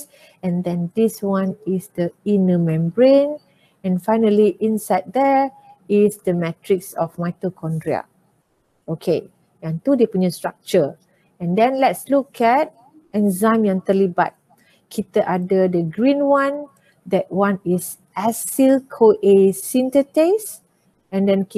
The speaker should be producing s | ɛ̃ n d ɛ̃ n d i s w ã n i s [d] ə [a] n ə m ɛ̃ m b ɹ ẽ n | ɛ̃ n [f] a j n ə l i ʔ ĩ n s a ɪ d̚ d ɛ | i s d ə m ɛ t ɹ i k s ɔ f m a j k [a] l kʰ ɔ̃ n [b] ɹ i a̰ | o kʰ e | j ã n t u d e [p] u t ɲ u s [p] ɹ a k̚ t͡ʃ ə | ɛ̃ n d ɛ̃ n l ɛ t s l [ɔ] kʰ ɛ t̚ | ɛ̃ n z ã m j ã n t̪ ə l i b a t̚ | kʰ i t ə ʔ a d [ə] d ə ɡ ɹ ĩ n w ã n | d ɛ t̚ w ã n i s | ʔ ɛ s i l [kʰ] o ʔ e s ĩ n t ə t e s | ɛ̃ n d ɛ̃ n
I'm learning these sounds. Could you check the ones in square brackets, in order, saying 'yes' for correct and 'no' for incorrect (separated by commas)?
yes, no, yes, no, no, yes, no, no, yes, yes